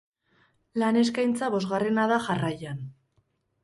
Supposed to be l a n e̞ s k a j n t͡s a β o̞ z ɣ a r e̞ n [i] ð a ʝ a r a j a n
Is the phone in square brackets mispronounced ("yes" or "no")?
yes